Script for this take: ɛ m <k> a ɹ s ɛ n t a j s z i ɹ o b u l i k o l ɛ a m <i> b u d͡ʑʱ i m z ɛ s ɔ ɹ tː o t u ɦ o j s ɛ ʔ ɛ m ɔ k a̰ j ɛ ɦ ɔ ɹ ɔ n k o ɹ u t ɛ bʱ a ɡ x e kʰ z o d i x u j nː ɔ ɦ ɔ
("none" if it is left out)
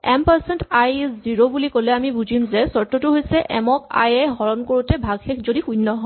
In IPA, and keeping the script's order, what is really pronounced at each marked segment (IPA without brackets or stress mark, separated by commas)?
p, i